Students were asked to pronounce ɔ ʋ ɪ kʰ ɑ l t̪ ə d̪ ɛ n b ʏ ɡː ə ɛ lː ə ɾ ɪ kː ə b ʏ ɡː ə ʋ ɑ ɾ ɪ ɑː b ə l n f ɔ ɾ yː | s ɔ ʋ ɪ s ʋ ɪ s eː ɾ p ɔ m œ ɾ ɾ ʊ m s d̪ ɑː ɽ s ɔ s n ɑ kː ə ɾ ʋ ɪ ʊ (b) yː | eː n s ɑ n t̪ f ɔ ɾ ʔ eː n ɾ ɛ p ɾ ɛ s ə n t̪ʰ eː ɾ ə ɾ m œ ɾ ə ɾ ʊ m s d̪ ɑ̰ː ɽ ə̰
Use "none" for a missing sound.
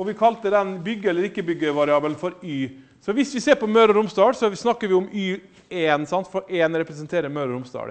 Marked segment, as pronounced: m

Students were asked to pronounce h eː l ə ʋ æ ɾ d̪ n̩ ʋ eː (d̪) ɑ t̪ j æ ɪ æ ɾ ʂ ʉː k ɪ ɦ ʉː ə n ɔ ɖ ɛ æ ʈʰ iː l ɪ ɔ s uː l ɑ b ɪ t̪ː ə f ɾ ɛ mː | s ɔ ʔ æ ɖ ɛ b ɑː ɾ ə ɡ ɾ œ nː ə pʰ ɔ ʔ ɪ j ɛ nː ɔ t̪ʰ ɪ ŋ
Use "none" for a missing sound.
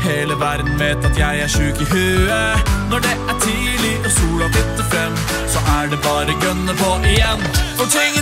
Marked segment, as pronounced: t̪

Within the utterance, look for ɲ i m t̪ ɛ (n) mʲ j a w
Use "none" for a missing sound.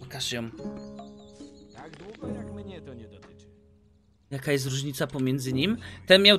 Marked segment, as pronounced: n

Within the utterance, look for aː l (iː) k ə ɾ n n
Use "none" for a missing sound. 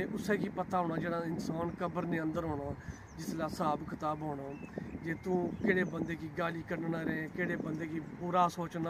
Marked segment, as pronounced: iː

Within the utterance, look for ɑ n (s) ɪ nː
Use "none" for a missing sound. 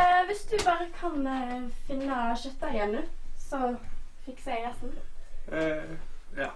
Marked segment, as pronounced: f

